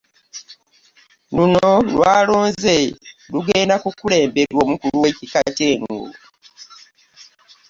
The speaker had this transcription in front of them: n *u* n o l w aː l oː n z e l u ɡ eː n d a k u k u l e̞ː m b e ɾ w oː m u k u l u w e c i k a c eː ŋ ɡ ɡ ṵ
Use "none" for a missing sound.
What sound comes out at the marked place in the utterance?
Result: u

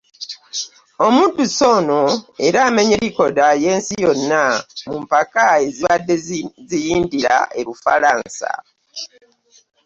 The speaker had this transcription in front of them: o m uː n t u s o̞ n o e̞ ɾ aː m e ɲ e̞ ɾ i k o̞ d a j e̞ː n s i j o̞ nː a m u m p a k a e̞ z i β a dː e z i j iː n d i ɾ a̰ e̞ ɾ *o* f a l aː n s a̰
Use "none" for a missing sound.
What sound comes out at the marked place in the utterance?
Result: u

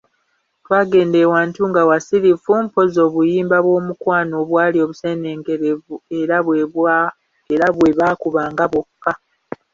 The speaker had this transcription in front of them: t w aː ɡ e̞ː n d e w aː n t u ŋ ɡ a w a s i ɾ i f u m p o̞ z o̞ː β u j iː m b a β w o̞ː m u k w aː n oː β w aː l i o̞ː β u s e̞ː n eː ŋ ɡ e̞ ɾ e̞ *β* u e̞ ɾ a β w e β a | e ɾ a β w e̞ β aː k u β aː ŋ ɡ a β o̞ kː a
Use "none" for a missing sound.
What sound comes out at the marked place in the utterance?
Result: v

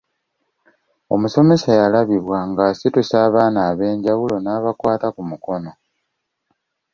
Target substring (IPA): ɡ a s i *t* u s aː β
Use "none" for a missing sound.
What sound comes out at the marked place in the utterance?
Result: t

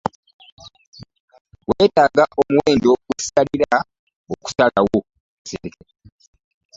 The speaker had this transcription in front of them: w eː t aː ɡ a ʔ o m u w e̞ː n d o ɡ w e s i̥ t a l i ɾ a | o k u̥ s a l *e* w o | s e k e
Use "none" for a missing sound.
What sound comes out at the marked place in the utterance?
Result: a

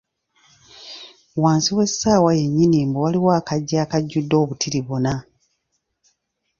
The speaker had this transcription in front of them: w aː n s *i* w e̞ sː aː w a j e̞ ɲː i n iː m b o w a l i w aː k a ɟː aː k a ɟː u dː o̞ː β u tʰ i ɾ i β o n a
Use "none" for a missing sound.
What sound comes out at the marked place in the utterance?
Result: i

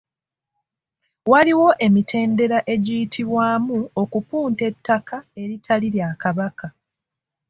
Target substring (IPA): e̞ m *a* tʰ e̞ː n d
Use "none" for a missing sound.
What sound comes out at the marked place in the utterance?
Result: i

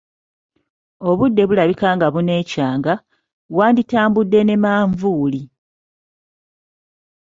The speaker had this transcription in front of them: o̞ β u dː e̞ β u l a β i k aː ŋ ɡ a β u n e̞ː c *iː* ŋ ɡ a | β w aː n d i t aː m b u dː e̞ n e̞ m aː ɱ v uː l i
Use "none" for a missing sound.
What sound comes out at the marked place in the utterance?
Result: aː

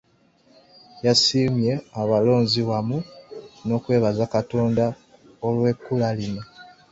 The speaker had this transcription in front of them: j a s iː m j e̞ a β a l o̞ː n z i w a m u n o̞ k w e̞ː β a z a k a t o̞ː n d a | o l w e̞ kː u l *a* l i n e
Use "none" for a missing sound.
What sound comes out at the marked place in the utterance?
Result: a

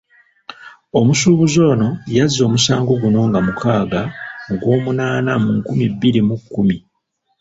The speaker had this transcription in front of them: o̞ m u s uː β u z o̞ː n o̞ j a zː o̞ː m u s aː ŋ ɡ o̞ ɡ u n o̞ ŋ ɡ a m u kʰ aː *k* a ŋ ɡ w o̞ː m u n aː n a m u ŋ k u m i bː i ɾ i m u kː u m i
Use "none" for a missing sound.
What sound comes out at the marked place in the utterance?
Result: ɡ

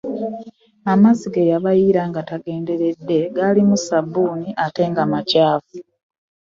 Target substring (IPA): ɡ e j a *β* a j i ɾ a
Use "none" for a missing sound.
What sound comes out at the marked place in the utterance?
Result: β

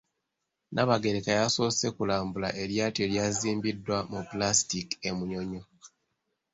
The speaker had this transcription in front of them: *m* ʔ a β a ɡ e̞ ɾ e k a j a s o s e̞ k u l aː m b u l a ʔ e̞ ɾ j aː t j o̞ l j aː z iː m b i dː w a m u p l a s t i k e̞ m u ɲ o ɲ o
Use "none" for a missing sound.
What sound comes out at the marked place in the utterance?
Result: n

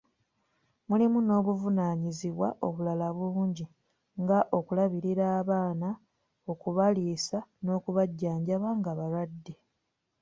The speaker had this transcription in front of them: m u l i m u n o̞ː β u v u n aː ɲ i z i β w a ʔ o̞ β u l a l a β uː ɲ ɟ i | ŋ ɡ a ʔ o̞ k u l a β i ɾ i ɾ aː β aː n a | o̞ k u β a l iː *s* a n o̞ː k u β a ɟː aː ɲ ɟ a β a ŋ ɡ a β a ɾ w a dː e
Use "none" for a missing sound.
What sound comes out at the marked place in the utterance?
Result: s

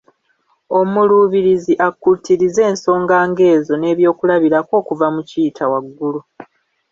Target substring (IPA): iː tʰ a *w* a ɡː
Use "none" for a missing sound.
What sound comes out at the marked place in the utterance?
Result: w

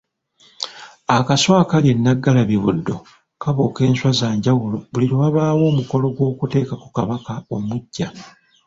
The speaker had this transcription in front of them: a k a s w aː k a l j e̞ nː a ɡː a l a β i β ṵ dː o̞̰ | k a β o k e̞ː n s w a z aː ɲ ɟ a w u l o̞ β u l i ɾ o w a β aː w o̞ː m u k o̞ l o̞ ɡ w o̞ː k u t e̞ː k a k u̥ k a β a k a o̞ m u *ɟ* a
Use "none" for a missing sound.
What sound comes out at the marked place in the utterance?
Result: ɟː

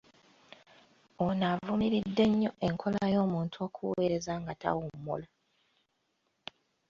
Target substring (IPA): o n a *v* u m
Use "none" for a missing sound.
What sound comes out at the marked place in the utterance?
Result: v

